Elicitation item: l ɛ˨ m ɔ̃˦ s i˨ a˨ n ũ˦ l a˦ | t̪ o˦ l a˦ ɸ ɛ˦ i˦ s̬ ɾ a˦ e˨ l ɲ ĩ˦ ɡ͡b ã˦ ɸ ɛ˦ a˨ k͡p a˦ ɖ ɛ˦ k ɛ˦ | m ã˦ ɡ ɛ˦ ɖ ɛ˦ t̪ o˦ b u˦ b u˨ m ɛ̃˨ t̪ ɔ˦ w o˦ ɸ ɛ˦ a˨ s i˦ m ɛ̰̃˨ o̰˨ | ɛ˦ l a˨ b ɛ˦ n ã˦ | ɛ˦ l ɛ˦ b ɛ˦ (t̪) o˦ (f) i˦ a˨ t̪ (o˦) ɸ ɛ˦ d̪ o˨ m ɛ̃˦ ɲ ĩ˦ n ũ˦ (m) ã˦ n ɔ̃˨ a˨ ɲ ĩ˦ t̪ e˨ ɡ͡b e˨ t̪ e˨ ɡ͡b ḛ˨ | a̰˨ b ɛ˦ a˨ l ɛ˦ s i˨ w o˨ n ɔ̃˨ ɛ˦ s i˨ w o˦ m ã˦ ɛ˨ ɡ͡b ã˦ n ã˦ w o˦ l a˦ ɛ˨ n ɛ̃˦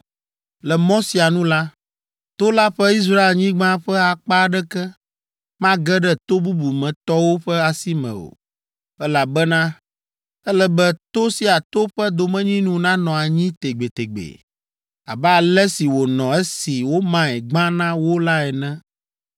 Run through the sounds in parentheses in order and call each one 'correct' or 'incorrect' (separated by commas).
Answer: correct, incorrect, correct, incorrect